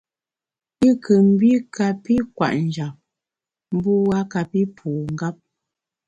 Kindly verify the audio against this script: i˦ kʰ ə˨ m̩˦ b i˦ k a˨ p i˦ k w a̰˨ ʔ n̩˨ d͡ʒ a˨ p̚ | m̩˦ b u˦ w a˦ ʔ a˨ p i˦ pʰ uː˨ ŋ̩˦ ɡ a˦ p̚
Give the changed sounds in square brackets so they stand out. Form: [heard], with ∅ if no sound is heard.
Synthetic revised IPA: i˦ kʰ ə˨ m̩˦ b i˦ k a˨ p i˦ k w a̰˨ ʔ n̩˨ d͡ʒ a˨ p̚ | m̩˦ b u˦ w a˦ [k] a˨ p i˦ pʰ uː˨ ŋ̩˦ ɡ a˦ p̚